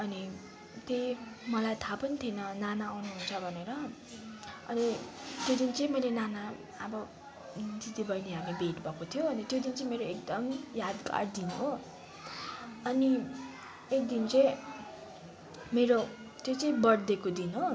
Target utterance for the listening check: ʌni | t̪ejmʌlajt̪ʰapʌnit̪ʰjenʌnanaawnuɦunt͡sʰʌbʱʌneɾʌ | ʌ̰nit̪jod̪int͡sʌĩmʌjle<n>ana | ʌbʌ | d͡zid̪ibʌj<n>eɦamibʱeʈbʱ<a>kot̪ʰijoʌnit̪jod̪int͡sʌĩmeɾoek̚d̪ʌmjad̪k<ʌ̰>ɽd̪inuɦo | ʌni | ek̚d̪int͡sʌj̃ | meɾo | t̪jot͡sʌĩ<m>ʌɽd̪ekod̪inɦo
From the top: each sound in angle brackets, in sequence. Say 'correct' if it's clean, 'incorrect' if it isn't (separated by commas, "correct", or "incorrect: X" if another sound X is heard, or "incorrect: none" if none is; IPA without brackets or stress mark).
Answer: correct, correct, incorrect: ʌ, incorrect: a̰, incorrect: b